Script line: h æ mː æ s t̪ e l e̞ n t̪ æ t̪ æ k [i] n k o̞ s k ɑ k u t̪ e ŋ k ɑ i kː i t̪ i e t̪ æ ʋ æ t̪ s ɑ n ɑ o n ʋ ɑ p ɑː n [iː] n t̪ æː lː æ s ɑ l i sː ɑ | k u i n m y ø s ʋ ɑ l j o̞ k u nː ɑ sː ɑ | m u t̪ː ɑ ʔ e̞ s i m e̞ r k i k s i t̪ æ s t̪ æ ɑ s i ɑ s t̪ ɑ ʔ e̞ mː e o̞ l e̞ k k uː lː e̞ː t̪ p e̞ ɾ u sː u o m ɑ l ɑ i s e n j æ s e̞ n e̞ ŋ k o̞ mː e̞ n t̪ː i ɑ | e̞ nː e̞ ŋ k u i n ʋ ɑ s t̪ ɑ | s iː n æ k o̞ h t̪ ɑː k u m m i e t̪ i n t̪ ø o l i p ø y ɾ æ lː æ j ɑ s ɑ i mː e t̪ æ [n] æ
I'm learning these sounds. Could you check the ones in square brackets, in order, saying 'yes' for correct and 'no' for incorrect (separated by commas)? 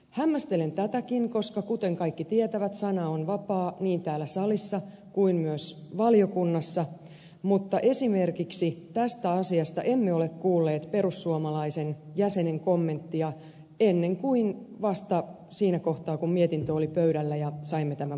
yes, yes, no